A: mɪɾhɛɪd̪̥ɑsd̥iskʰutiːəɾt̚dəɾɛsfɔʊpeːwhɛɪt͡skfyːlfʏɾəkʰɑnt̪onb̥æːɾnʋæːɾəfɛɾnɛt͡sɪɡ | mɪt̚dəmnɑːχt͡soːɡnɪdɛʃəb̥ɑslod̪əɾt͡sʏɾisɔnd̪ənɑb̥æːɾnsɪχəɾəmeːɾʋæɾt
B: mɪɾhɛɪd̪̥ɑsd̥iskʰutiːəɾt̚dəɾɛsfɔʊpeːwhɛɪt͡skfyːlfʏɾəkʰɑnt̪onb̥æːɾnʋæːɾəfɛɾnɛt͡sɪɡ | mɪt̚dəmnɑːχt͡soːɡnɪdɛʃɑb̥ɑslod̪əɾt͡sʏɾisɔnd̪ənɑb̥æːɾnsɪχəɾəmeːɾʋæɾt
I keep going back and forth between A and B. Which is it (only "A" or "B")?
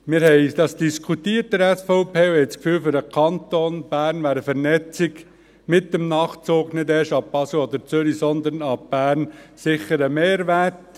B